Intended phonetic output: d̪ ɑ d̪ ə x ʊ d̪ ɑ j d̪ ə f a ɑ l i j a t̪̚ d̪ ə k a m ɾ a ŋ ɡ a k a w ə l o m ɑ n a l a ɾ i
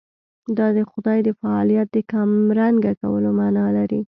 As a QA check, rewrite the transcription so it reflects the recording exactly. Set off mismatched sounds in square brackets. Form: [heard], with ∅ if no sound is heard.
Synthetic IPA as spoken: d̪ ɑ d̪ ə x ʊ d̪ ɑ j d̪ ə f a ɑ l i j a t̪̚ d̪ ə k a m ɾ a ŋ ɡ a k a w ə l o m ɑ n [ɑ] l a ɾ i